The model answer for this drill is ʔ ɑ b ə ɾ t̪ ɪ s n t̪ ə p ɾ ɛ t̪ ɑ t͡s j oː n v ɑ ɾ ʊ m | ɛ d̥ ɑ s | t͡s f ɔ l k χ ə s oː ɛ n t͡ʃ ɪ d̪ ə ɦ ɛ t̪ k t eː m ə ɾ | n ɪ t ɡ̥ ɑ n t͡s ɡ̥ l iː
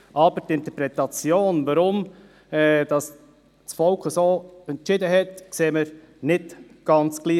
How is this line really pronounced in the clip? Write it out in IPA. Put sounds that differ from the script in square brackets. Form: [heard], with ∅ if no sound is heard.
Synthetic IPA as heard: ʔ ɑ b ə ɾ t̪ ɪ [∅] n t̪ ə p ɾ ɛ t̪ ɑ t͡s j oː n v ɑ ɾ ʊ m | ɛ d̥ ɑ s | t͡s f ɔ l k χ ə s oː ɛ n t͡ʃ ɪ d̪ ə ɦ ɛ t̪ k [s] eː m ə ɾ | n ɪ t ɡ̥ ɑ n t͡s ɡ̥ l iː